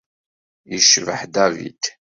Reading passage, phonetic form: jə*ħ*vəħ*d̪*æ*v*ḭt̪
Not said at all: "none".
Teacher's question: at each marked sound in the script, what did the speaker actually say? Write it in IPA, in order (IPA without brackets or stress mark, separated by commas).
ʃ, d̪, v